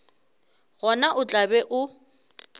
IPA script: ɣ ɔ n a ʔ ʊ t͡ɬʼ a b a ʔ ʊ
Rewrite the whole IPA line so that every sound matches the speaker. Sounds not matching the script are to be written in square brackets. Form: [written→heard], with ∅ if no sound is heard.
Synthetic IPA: ɣ ɔ n a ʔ ʊ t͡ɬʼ a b [a→ɛ] ʔ ʊ

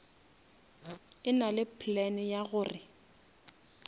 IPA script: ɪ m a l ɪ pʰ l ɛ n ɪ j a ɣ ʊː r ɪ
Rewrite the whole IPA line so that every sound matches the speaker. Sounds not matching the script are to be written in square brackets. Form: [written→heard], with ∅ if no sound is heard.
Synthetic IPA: ɪ [m→n] a l ɪ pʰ l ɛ n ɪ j a ɣ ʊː r ɪ

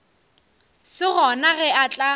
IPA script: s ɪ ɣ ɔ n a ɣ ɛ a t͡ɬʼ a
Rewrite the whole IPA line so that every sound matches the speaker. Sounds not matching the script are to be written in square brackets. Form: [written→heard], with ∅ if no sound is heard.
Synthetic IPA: s ɪ ɣ ɔ n a ɣ ɛ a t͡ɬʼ a

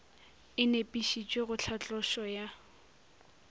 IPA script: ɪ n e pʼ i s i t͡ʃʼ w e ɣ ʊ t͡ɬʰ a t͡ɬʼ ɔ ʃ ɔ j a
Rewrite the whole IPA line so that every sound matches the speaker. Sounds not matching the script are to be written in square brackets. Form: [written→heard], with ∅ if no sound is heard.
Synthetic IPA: ɪ n e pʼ i [s→ʃ] i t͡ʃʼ w e ɣ ʊ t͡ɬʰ a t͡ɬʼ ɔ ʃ ɔ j a

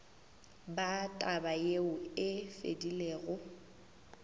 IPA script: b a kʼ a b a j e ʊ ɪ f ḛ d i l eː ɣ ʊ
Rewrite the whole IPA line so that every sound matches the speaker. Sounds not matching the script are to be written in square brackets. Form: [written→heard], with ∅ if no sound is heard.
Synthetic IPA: b a [kʼ→tʼ] a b a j e ʊ ɪ f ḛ d i l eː ɣ ʊ

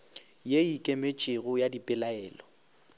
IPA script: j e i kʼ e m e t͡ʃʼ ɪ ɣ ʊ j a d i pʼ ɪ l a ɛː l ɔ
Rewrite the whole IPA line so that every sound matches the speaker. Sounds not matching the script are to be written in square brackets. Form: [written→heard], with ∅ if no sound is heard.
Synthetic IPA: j e i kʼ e m e t͡ʃʼ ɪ ɣ ʊ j a d i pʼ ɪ l a ɛː l ɔ

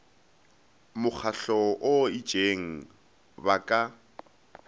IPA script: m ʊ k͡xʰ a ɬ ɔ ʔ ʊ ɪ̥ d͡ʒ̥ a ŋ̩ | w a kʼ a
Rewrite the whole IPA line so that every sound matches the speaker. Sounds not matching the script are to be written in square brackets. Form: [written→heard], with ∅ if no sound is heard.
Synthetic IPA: m ʊ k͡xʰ a ɬ ɔ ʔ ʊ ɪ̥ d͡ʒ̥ [a→e] ŋ̩ | [w→b] a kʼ a

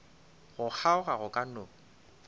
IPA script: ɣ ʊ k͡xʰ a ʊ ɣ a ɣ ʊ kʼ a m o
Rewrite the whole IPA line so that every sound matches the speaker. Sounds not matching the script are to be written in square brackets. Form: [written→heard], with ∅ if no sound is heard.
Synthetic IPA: ɣ ʊ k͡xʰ a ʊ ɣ a ɣ ʊ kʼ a [m→n] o

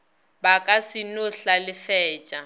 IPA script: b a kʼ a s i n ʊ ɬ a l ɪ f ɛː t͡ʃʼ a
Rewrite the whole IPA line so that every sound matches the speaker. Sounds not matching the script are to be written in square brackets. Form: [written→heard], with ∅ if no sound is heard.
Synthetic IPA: b a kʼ a s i n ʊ ɬ a l ɪ f ɛː t͡ʃʼ a

